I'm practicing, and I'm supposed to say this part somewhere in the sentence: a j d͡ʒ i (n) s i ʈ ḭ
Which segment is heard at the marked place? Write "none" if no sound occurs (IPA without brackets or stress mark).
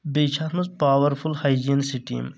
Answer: n